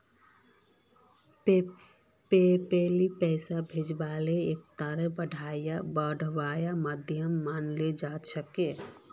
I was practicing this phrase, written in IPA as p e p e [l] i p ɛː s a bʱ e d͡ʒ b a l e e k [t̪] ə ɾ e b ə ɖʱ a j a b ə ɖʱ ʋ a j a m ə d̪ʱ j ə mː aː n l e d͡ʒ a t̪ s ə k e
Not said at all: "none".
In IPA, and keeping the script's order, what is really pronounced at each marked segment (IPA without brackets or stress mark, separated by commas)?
l, t̪